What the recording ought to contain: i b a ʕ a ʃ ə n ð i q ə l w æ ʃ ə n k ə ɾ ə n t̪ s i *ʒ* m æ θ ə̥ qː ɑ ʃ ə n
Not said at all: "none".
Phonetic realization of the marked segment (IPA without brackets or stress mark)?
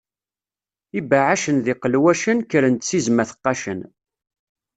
z